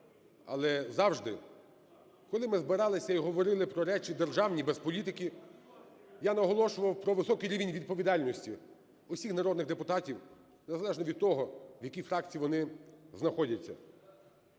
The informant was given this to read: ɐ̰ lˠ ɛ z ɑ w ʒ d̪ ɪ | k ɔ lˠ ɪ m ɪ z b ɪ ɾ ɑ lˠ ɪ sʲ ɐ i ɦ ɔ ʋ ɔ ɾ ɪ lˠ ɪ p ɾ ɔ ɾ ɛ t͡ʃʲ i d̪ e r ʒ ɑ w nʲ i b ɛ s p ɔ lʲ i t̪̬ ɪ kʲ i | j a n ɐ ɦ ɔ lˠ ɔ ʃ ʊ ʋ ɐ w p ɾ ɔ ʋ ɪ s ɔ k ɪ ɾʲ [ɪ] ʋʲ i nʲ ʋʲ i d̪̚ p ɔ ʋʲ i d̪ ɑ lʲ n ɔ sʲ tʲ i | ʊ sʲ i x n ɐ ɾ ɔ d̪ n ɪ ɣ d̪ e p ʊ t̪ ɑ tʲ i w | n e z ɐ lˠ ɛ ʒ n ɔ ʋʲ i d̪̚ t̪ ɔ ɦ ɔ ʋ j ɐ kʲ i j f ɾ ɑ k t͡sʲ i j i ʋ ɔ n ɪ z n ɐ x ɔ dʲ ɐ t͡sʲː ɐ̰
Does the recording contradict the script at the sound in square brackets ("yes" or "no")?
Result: yes